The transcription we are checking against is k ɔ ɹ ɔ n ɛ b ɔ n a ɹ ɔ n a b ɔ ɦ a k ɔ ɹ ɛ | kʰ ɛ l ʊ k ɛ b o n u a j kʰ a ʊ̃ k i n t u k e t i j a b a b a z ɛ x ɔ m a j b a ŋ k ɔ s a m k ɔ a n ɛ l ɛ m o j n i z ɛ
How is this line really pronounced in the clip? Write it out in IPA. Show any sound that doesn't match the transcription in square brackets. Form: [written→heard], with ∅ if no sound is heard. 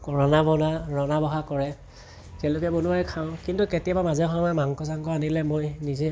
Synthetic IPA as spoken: k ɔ ɹ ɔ n [ɛ→a] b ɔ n a ɹ ɔ n a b ɔ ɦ a k ɔ ɹ ɛ | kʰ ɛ l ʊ k ɛ b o n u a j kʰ a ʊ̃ k i n t u k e t i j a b a [b→m] a z ɛ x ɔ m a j [b→m] a ŋ k ɔ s a [m→ŋ] k ɔ a n [ɛ→i] l ɛ m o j n i z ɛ